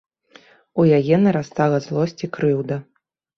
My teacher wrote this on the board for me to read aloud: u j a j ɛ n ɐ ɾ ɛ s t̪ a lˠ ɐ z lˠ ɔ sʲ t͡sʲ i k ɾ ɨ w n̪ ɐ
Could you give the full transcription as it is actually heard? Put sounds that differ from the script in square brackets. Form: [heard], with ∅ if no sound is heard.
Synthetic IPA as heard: u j a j ɛ n ɐ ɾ [a] s t̪ a lˠ ɐ z lˠ ɔ sʲ t͡sʲ i k ɾ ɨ w [d̪] ɐ